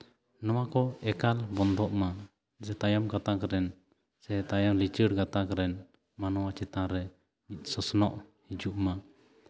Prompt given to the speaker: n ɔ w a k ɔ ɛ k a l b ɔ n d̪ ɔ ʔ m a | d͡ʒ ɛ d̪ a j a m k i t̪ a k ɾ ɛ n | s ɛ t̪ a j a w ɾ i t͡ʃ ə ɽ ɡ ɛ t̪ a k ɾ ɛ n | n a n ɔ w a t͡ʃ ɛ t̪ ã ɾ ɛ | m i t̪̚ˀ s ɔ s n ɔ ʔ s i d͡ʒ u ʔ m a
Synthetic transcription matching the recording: n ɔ w a k ɔ ɛ k a l b ɔ n d̪ ɔ ʔ m a | d͡ʒ ɛ t̪ a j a m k a t̪ a k ɾ ɛ n | s ɛ t̪ a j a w l i t͡ʃ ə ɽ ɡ a t̪ a k ɾ ɛ n | m a n ɔ w a t͡ʃ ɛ t̪ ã ɾ ɛ | m i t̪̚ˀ s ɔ s n ɔ ʔ h i d͡ʒ u ʔ m a